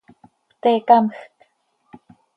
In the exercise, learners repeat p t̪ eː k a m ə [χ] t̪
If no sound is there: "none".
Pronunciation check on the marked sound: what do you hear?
x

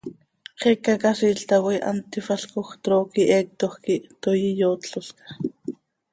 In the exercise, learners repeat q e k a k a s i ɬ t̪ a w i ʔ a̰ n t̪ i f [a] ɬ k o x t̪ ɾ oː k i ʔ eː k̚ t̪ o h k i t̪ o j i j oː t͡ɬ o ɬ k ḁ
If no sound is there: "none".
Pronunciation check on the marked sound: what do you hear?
a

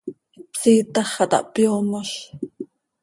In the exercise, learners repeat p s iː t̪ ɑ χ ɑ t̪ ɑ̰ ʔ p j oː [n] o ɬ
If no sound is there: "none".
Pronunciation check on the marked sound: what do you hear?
m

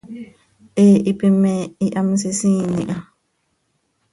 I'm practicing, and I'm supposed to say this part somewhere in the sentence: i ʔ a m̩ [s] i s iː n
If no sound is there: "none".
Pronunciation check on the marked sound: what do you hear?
s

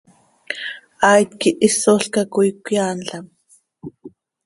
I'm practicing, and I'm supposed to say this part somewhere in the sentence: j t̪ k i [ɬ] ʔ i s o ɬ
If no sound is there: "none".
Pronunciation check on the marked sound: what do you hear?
none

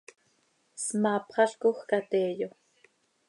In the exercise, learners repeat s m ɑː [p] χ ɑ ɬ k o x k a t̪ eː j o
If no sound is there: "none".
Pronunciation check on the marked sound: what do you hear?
p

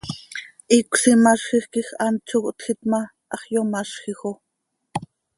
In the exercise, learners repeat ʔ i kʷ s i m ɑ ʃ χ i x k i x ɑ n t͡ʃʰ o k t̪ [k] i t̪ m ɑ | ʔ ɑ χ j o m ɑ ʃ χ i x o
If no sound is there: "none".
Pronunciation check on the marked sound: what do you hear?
x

